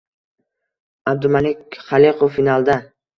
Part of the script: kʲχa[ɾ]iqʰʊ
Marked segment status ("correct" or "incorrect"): incorrect